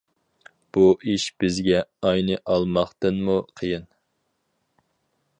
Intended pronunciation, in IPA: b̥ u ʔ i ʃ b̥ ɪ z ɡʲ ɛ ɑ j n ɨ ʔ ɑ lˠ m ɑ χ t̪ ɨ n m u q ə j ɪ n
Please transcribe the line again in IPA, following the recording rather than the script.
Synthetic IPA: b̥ u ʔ i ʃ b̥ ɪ z ɡʲ ɛ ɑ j n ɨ ʔ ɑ lˠ m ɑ χ t̪ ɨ n m u qʰ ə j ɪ n